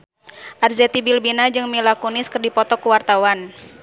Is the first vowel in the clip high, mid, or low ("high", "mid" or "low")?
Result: low